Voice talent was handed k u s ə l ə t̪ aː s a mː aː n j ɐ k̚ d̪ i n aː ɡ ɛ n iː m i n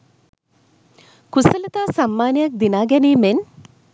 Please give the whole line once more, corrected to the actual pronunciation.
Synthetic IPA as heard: k u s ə l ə t̪ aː s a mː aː n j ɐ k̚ d̪ i n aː ɡ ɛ n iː m e n